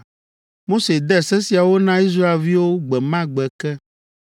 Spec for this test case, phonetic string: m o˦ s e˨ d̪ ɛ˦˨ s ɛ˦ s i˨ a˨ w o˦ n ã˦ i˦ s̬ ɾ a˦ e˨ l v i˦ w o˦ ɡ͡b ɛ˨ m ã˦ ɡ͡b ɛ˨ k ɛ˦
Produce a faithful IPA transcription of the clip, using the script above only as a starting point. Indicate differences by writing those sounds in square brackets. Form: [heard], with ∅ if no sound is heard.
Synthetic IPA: m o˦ s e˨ d̪ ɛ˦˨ s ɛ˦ s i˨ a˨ w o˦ n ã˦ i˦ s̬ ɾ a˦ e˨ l v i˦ w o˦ ɡ͡b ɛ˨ m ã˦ ɡ͡b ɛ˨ k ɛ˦